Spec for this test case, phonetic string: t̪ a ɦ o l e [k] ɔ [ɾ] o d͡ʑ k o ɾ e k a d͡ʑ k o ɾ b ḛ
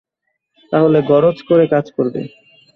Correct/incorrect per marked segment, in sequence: incorrect, correct

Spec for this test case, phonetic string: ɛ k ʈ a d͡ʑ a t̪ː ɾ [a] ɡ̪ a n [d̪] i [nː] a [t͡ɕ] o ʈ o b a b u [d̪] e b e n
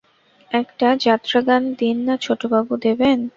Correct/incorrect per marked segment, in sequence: correct, correct, correct, incorrect, correct

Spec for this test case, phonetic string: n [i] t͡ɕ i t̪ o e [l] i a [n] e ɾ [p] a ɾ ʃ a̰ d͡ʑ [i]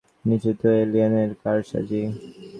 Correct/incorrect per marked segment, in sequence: correct, correct, correct, incorrect, correct

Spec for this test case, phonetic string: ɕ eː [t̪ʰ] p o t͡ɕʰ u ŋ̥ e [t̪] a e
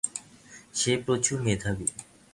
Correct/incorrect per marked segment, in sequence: incorrect, incorrect

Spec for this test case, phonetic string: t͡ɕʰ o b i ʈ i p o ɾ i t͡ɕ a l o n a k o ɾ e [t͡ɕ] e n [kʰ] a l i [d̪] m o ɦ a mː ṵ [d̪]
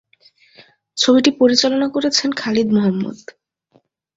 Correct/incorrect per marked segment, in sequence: incorrect, correct, correct, correct

